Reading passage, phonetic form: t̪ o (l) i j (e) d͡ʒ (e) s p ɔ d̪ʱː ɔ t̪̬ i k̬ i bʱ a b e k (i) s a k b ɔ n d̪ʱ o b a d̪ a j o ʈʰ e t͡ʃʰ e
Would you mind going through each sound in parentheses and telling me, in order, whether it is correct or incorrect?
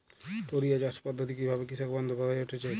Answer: incorrect: ɾ, incorrect: a, incorrect: a, correct

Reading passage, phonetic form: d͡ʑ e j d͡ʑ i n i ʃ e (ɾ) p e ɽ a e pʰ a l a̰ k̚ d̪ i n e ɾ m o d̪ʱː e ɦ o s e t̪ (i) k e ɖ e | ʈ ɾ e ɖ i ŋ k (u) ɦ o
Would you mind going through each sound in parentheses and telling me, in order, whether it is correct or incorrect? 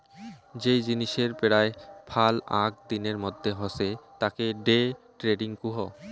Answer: correct, incorrect: a, correct

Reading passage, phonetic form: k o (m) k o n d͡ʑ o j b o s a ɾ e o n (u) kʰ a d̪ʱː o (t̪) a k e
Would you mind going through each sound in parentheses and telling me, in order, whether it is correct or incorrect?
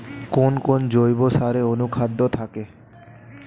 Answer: incorrect: n, correct, incorrect: t̪ʰ

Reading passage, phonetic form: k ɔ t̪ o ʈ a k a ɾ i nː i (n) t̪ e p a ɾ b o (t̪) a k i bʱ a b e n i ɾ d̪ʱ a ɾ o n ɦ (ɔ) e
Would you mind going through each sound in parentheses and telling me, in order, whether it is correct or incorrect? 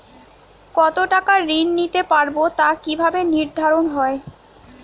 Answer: incorrect: none, correct, correct

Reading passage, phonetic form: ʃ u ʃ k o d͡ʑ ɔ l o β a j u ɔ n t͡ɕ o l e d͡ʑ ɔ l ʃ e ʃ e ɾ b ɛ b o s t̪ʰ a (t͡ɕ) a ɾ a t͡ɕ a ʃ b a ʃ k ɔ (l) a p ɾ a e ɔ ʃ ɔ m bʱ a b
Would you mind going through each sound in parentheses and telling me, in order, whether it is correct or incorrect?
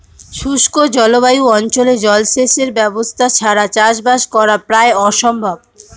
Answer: incorrect: t͡ɕʰ, incorrect: ɾ

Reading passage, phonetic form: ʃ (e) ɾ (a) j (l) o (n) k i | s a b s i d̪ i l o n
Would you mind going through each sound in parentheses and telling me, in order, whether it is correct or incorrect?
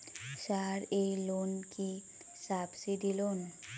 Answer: incorrect: a, incorrect: e, correct, correct

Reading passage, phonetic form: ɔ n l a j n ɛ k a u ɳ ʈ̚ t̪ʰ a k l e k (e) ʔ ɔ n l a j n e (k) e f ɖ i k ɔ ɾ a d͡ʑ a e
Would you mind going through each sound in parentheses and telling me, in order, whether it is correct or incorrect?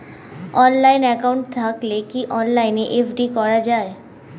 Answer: incorrect: i, incorrect: ʔ

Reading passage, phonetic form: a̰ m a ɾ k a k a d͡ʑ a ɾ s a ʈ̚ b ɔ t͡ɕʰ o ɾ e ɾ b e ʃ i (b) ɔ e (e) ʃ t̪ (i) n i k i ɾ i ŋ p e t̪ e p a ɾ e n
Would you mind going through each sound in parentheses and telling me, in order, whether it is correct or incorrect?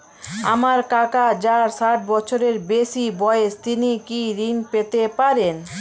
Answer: correct, correct, correct

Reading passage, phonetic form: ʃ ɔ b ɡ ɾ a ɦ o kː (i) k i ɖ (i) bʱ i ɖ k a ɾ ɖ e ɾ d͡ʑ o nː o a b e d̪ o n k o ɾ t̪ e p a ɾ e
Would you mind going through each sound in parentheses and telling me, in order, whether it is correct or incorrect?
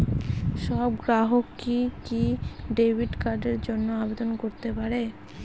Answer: correct, incorrect: e

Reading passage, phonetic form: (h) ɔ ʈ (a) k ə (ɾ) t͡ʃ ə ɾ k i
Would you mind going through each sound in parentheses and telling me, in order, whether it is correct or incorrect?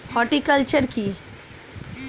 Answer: correct, incorrect: i, incorrect: l

